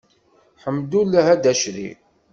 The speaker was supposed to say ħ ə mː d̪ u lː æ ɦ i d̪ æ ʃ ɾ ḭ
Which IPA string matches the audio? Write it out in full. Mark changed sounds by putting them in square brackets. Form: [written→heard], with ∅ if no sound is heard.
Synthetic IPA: ħ ə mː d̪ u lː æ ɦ [i→æ] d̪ æ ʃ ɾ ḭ